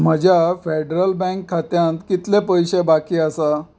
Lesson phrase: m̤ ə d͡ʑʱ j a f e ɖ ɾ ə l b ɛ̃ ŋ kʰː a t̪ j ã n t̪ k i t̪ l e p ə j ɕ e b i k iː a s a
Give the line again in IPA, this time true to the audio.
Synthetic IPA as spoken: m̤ ə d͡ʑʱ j a f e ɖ ɾ ə l b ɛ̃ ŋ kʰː a t̪ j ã n t̪ k i t̪ l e p ə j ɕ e b a k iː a s a